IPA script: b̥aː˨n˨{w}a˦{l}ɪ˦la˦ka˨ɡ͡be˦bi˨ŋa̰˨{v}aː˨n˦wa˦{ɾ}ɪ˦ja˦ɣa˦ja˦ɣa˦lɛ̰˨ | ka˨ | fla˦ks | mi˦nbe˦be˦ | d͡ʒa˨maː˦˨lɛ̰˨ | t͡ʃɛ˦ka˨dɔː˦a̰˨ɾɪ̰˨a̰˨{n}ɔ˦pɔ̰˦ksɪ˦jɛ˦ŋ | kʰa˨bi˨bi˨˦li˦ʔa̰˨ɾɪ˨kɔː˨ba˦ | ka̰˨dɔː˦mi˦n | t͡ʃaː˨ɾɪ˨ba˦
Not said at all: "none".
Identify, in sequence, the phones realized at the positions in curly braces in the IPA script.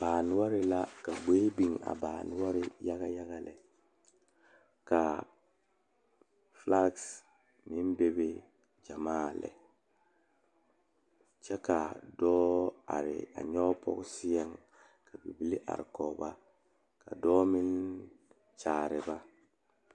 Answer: w, ɾ, b, ɾ, ɲ

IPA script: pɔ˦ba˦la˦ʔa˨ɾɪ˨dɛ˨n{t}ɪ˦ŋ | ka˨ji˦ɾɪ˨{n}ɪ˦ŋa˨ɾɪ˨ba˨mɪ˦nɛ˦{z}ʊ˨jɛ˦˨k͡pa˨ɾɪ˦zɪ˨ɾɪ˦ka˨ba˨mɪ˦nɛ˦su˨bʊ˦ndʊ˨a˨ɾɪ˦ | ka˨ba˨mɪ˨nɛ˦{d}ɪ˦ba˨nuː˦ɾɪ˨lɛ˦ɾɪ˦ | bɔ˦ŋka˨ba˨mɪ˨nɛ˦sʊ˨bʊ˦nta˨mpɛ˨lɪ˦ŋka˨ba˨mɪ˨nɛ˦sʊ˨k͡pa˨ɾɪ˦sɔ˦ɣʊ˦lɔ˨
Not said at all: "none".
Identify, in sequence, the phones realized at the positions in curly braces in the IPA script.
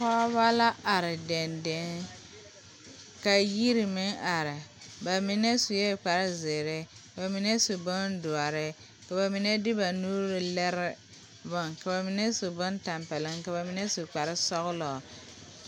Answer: d, m, s, d

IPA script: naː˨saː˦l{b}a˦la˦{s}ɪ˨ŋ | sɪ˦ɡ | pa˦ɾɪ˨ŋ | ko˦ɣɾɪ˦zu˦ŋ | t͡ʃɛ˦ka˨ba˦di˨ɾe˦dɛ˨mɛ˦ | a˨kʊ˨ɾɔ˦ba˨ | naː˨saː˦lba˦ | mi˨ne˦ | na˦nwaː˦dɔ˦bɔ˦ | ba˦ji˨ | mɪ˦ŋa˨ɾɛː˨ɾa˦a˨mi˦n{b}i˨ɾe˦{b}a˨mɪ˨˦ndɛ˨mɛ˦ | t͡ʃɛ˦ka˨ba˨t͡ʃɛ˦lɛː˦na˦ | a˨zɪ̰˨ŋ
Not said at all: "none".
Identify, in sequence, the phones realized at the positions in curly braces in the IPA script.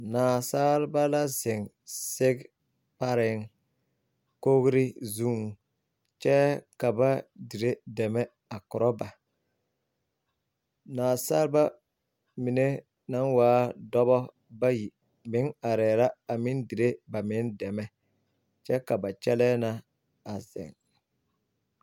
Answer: b, z, d, b

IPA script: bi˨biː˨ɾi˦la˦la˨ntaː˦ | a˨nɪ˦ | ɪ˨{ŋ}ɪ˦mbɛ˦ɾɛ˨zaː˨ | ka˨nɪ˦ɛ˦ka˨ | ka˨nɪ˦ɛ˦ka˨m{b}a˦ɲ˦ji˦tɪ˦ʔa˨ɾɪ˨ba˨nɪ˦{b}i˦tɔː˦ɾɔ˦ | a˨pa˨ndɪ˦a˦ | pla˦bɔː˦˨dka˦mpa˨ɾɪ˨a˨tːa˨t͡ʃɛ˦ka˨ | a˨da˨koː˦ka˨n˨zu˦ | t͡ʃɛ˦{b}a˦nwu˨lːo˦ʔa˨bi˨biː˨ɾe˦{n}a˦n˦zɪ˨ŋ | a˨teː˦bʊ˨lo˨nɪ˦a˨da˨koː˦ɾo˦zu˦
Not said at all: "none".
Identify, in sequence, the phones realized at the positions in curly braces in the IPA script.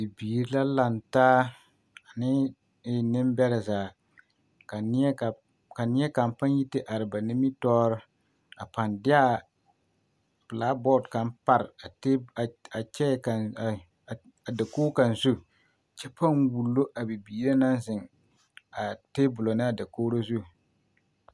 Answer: n, p, m, p, n

